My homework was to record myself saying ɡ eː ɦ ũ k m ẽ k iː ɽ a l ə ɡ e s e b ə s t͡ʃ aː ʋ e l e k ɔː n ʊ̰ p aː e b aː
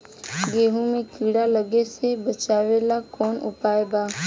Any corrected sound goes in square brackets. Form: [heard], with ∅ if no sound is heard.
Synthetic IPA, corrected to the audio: ɡ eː ɦ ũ [∅] m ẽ k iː ɽ a l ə ɡ e s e b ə [∅] t͡ʃ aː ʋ e l [a] k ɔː n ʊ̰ p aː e b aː